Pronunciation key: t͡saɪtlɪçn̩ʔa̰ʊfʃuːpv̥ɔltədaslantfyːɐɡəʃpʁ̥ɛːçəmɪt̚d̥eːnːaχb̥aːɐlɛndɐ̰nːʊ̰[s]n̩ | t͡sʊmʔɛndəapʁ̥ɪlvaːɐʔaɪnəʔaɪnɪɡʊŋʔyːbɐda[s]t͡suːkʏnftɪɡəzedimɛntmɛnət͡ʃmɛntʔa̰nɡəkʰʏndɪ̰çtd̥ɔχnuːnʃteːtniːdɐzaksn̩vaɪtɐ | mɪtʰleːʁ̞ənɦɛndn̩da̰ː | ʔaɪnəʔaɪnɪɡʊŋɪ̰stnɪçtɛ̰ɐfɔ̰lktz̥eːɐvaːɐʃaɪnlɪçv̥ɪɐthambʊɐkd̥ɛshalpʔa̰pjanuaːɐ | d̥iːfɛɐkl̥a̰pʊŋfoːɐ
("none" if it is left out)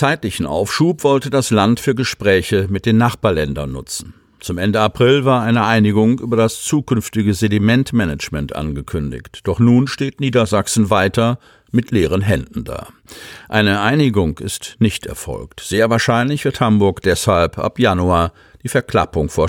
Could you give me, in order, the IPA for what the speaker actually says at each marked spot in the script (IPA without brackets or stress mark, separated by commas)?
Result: t͡s, s